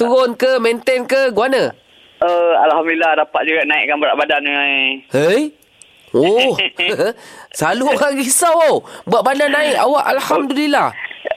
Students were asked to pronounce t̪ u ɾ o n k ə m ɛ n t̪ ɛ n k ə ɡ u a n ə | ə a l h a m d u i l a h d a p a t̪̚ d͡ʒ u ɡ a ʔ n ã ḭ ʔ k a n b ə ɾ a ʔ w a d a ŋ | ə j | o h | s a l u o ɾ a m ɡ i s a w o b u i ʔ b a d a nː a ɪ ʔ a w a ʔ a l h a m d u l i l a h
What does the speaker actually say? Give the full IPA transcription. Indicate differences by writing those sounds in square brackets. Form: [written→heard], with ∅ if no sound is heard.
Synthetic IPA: t̪ u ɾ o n k ə m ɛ n t̪ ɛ n k ə ɡ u a n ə | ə a l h a m d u i l a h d a p a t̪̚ d͡ʒ u ɡ a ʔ n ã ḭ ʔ k a n b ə ɾ a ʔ [w→b] a d a [ŋ→n] | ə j | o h | s a l u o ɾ a [m→ŋ] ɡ i s a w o b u [i→a] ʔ b a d a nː a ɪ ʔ a w a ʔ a l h a m d u l i l a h